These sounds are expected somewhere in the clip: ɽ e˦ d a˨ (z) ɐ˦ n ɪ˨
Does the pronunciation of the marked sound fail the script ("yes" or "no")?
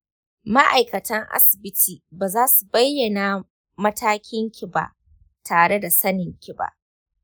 yes